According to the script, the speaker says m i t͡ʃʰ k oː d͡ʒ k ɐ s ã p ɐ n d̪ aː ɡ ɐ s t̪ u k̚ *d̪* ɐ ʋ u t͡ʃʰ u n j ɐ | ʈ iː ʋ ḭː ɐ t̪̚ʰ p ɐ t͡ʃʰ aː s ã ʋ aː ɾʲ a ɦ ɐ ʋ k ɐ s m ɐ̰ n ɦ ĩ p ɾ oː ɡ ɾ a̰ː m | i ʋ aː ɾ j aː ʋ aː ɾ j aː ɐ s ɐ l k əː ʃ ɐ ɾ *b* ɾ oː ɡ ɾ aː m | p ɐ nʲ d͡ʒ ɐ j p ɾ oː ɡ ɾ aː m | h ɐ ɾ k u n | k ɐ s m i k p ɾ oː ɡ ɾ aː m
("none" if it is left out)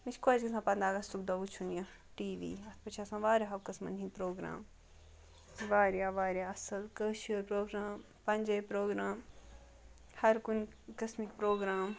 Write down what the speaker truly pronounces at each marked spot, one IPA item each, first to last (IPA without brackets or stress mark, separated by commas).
d̪, p